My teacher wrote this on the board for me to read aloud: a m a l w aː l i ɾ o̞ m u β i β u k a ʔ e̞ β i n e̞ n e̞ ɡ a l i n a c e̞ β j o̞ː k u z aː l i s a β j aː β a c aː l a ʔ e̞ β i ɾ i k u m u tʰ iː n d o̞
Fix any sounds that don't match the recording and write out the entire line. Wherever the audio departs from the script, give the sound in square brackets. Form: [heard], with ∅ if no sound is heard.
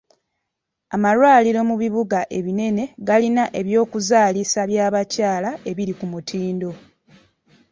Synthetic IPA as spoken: a m a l w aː l i ɾ o̞ m u β i β u [ɡ] a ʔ e̞ β i n e̞ n e̞ ɡ a l i n a [ʔ] e̞ β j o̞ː k u z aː l i s a β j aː β a c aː l a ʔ e̞ β i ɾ i k u m u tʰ iː n d o̞